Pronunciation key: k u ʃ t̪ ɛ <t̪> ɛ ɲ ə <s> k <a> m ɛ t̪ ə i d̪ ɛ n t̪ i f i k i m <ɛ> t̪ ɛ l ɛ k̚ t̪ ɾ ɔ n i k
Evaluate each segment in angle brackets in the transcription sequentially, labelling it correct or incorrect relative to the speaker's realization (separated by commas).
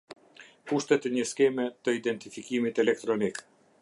correct, correct, incorrect, incorrect